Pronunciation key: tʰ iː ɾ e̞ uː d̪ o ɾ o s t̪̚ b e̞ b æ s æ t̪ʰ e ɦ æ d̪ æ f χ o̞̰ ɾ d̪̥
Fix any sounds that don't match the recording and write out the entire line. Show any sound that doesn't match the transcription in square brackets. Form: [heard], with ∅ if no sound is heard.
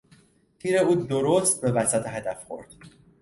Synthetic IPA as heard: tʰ iː ɾ e̞ uː d̪ o ɾ o s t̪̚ b e̞ [v] æ s æ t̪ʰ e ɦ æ d̪ æ f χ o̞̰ ɾ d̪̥